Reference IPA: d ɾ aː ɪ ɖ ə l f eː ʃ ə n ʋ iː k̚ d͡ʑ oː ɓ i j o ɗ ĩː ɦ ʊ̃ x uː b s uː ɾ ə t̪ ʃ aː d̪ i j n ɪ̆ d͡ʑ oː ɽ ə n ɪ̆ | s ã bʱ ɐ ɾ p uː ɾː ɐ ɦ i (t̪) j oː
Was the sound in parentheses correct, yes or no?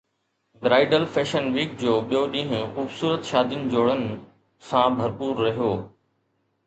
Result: no